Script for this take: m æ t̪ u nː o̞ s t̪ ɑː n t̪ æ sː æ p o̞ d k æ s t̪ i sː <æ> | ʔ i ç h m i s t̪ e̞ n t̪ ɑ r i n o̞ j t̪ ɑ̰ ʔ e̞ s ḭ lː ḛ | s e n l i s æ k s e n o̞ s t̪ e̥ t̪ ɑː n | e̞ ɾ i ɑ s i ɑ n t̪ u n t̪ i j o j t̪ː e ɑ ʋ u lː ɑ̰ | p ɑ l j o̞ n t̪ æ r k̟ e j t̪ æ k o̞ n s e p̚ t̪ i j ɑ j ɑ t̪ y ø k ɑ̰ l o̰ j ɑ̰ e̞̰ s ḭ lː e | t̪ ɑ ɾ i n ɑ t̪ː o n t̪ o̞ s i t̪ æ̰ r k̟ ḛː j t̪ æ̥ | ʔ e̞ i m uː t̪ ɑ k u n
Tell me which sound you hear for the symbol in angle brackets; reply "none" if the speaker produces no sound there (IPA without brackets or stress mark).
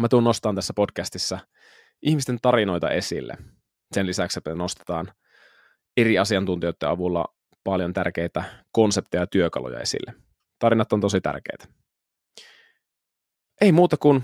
æ